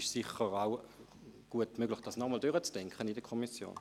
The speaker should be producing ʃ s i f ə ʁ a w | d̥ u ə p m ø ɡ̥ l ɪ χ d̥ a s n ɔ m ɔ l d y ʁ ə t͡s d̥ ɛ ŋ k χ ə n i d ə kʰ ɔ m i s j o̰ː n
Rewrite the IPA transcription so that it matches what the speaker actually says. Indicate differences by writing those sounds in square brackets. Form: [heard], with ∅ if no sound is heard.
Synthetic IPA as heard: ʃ s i [χ] ə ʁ a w | [ɡ̥] u ə [t] m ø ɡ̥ l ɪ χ d̥ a s n ɔ m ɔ l d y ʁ ə t͡s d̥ ɛ ŋ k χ ə n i d ə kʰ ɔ m i s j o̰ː n